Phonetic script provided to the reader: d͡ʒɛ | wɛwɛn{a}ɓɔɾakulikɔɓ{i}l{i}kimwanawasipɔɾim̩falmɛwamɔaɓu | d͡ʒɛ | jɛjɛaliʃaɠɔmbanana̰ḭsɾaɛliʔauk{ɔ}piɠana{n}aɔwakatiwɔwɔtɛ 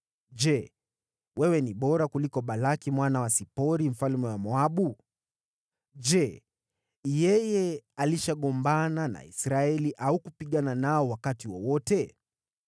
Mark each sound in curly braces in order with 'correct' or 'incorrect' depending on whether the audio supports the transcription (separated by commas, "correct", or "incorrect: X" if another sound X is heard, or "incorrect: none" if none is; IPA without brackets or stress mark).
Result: incorrect: i, incorrect: a, incorrect: a, incorrect: u, correct